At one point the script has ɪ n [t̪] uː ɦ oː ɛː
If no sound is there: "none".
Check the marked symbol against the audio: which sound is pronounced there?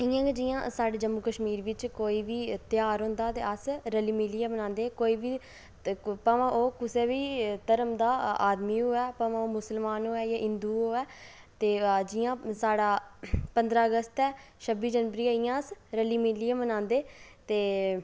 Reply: d̪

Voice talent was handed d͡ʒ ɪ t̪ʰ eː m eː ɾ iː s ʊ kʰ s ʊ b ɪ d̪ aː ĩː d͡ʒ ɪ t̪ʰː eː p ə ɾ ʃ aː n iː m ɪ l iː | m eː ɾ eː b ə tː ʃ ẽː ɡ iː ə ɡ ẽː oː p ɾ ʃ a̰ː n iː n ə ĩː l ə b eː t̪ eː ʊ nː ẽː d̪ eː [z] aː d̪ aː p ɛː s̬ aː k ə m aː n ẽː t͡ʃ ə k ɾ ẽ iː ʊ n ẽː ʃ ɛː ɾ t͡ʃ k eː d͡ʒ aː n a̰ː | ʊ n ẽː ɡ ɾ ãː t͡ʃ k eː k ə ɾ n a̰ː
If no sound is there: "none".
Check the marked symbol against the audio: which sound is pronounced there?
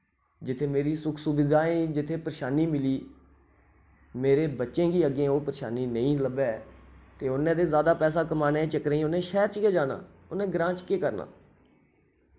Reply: z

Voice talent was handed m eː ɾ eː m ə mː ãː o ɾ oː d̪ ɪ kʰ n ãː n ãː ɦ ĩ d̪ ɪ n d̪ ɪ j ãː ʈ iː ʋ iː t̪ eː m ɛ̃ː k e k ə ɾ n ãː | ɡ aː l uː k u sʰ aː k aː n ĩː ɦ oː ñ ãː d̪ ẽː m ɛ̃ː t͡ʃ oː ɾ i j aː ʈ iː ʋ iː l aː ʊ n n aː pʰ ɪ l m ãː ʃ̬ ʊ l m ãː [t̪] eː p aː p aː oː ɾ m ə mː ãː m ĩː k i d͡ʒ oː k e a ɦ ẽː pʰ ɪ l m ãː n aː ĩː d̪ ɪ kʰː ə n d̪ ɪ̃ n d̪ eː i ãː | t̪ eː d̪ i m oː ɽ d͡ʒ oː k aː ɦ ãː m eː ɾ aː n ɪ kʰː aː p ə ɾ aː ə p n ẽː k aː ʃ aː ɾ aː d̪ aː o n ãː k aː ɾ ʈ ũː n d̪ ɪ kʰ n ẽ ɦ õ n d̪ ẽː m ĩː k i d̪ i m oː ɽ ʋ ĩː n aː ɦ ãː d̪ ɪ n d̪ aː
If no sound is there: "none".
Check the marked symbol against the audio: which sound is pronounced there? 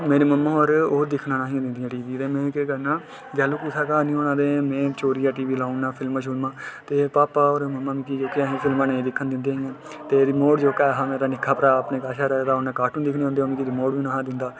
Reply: t̪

